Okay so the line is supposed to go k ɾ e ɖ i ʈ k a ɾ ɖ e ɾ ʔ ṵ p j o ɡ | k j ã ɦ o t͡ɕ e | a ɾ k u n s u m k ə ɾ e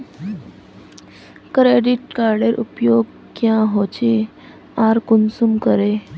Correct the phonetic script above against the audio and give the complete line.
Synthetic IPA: k ɾ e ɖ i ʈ k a ɾ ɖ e ɾ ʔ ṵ p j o ɡ | k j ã ɦ o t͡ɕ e | a ɾ k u n s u m k ə ɾ e

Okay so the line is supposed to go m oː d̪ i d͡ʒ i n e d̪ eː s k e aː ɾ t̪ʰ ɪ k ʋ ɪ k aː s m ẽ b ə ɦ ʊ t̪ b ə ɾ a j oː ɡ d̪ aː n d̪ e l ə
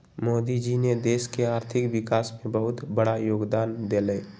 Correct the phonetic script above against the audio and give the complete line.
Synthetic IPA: m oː d̪ i d͡ʒ i n e d̪ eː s k e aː ɾ t̪ʰ ɪ k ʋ ɪ k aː s m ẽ b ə ɦ ʊ t̪ b ə ɽ a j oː ɡ d̪ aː n d̪ e l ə

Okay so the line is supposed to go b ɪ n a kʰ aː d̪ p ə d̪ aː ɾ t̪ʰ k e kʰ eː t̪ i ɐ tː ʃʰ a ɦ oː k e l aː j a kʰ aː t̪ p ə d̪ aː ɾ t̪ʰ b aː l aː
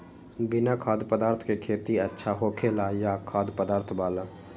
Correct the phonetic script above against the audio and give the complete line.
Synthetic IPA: b ɪ n a kʰ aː d̪ p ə d̪ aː ɾ t̪ʰ k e kʰ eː t̪ i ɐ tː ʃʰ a ɦ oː kʰ e l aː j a kʰ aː d̪ p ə d̪ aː ɾ t̪ʰ b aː l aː

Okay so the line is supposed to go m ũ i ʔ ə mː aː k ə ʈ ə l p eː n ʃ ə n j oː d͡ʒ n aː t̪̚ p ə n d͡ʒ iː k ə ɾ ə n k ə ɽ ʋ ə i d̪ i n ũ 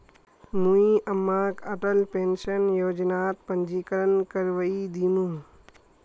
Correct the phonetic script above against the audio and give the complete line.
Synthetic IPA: m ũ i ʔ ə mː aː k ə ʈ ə l p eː n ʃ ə n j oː d͡ʒ n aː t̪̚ p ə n d͡ʒ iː k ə ɾ ə n k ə ɾ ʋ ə i d̪ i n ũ

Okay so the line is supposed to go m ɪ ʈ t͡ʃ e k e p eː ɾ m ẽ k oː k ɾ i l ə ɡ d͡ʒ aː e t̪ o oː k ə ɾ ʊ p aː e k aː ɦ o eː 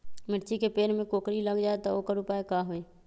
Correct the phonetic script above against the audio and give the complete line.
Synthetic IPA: m ɪ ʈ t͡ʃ i k e p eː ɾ m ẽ k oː k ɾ i l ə ɡ d͡ʒ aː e t̪ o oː k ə ɾ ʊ p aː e k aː ɦ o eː

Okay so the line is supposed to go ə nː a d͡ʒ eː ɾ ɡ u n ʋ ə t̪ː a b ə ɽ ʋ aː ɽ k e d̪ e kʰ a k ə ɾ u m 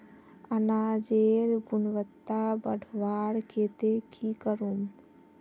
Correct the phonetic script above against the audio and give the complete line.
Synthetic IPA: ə n a d͡ʒ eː ɾ ɡ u n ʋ ə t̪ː a b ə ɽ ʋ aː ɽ k e t̪ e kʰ i k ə ɾ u m

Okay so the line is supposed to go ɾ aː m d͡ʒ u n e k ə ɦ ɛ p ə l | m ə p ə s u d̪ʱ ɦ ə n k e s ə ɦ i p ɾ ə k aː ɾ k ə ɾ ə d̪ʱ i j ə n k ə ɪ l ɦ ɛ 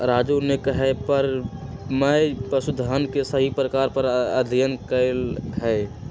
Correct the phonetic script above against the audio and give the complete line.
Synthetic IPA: ɾ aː d͡ʒ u n e k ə ɦ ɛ p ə ɾ | m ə p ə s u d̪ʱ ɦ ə n k e s ə ɦ i p ɾ ə k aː ɾ p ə ɾ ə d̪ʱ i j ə n k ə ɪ l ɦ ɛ

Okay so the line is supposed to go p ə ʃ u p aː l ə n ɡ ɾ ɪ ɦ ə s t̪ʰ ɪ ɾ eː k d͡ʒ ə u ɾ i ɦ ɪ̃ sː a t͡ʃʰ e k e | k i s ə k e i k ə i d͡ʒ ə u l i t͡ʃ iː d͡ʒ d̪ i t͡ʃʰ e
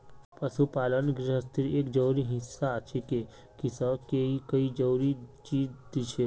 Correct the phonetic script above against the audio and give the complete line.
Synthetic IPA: p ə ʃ u p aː l ə n ɡ ɾ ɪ ɦ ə s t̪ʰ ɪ ɾ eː k d͡ʒ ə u ɾ i ɦ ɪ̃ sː a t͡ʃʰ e k e | k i s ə k e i k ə i d͡ʒ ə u ɾ i t͡ʃ iː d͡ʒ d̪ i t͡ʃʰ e

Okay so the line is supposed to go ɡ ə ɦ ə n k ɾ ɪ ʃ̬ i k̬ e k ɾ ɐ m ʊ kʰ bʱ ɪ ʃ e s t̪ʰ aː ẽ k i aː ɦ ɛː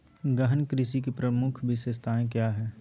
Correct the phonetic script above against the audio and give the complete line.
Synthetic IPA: ɡ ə ɦ ə n k ɾ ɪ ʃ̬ i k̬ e p ɾ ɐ m ʊ kʰ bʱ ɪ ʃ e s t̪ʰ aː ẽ k j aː ɦ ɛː

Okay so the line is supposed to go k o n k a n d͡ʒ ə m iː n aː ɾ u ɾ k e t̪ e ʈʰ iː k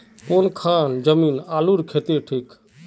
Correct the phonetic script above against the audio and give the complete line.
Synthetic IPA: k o n kʰ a n d͡ʒ ə m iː n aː l u ɾ kʰ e t̪ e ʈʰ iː k

